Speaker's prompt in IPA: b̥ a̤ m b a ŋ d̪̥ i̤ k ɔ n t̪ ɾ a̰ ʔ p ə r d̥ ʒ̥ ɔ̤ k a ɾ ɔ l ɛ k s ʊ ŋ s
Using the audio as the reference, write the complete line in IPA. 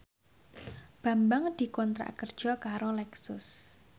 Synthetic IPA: b̥ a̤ m b a ŋ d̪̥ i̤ k ɔ n t̪ ɾ a̰ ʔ k ə r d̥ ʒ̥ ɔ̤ k a ɾ o l ɛ k s ʊ s